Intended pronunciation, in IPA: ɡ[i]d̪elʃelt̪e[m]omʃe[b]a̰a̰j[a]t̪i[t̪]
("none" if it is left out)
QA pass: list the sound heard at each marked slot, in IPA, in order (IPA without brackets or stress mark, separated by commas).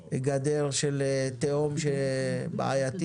a, none, b, a, none